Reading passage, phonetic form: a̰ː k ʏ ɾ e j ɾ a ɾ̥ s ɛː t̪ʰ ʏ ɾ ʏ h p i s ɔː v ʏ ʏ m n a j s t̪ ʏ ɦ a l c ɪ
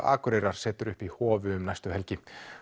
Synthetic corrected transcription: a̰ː k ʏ ɾ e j ɾ a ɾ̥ s ɛː t̪ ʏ ɾ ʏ h p i h ɔː v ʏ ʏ m n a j s t̪ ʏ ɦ ɛ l c ɪ